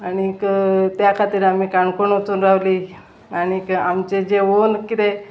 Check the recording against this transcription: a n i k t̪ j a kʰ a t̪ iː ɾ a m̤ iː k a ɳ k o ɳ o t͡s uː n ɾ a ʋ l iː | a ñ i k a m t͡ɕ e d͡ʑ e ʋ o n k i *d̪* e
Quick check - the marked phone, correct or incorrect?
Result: incorrect